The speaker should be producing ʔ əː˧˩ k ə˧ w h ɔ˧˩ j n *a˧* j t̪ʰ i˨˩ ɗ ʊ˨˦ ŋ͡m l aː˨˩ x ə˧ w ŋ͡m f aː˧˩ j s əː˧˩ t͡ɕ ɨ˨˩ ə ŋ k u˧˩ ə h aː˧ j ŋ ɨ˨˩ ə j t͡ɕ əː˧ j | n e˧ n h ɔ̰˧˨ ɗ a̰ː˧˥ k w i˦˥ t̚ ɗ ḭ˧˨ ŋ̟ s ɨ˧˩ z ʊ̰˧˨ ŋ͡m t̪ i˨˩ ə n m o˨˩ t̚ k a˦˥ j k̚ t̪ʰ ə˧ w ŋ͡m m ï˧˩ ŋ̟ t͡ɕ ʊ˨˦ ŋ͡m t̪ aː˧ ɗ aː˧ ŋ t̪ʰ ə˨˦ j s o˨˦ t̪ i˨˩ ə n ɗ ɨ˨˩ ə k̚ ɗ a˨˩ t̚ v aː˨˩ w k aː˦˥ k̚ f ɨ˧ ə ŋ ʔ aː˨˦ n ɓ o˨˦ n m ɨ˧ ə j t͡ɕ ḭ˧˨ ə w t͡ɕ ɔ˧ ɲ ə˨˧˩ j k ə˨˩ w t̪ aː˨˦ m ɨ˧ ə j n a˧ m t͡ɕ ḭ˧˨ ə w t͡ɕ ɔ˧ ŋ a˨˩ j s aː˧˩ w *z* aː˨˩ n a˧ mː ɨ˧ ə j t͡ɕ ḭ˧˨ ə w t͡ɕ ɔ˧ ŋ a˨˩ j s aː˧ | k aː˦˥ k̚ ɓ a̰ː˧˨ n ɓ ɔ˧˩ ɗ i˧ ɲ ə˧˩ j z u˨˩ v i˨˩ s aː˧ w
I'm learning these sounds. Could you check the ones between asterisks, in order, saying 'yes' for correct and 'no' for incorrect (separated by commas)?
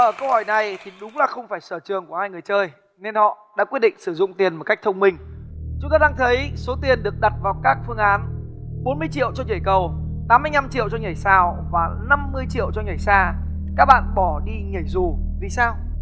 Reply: no, no